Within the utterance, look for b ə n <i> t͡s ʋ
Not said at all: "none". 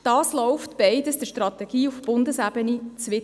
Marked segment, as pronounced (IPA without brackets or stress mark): i